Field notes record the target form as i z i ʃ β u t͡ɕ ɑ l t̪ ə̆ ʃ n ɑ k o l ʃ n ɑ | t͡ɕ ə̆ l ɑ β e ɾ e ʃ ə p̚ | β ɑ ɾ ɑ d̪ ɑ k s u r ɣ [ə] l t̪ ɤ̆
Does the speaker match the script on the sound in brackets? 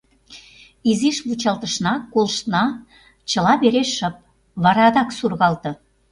no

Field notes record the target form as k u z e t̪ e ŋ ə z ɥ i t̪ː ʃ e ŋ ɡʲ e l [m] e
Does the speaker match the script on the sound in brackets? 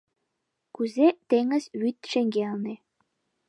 no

